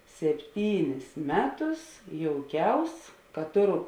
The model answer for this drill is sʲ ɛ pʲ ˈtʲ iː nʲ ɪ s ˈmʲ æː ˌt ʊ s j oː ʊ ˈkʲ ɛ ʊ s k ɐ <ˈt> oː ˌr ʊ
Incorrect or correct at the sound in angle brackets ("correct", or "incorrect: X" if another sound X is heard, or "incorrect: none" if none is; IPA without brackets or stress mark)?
correct